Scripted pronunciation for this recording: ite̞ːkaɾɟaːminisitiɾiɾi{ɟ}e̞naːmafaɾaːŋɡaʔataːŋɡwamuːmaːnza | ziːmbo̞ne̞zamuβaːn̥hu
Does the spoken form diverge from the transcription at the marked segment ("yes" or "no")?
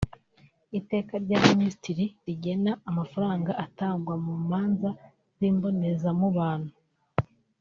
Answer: no